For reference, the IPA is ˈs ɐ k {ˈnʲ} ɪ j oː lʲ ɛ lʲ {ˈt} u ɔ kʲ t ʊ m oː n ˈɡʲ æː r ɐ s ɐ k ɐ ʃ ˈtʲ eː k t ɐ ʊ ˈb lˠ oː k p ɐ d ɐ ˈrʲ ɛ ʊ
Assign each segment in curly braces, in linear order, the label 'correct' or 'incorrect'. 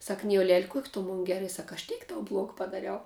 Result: correct, incorrect: k

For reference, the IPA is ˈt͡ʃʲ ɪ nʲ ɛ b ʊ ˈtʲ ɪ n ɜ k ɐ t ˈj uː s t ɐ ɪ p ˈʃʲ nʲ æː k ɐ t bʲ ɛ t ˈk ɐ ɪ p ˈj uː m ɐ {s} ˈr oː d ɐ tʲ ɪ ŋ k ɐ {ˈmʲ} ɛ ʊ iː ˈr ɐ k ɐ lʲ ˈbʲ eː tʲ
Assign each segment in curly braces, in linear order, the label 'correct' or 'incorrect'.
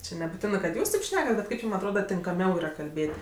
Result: incorrect: t, correct

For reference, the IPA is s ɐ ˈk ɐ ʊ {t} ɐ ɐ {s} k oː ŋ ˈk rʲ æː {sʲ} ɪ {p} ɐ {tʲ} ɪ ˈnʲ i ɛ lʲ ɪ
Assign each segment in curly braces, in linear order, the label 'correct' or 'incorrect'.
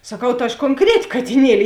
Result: correct, incorrect: ʃ, incorrect: tʲ, incorrect: k, correct

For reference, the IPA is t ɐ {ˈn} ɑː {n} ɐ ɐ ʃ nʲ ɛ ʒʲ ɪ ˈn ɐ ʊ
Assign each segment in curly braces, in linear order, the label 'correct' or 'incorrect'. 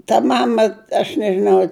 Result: incorrect: m, incorrect: m

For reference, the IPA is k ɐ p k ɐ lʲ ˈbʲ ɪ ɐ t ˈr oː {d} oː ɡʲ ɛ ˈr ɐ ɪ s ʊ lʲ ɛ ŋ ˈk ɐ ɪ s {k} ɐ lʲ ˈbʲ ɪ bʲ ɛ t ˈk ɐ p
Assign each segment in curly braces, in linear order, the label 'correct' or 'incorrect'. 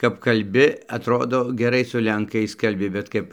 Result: correct, correct

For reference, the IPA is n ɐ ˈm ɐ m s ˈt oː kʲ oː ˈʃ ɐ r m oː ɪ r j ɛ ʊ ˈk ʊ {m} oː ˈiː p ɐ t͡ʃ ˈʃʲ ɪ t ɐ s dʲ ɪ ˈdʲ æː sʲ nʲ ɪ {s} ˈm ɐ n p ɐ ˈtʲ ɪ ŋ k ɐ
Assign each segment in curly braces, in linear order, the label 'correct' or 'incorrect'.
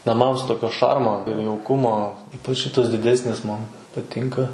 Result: correct, correct

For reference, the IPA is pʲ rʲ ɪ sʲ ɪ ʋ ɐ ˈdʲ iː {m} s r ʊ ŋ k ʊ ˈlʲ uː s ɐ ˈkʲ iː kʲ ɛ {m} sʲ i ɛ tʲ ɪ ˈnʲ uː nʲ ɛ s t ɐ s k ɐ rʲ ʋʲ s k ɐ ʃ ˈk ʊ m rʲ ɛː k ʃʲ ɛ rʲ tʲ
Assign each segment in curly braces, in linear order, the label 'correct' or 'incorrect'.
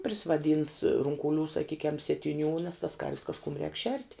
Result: incorrect: n, correct

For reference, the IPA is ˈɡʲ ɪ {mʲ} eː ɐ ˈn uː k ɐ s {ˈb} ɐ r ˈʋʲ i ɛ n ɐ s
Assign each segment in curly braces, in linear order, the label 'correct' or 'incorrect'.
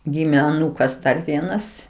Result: correct, incorrect: d

